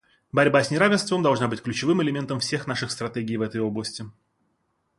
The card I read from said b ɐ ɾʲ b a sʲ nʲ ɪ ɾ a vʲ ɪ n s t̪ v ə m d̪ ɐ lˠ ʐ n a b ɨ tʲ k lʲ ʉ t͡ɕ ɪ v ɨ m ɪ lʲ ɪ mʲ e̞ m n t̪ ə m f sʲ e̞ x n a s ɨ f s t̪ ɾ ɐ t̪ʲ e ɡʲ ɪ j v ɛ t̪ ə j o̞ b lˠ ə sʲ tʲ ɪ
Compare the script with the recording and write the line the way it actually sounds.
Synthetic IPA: b ɐ ɾʲ b a sʲ nʲ ɪ ɾ a vʲ ɪ n s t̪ v ə m d̪ ɐ lˠ ʐ n a b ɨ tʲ k lʲ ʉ t͡ɕ ɪ v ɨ m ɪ lʲ ɪ mʲ e̞ n t̪ ə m f sʲ e̞ x n a ʂ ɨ x s t̪ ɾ ɐ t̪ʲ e ɡʲ ɪ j v ɛ t̪ ə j o̞ b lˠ ə sʲ tʲ ɪ